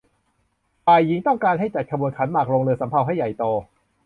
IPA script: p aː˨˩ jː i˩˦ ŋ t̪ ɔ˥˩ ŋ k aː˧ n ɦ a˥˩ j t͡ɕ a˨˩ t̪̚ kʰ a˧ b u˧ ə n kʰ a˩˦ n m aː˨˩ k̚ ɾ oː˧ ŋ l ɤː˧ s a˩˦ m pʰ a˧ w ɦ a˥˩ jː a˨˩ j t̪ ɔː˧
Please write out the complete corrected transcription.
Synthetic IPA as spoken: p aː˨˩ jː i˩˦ ŋ t̪ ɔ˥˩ ŋ k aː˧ n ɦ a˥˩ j t͡ɕ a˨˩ t̪̚ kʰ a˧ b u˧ ə n kʰ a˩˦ n m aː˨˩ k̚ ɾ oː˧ ŋ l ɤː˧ s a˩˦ m pʰ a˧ w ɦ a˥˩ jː a˨˩ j t̪ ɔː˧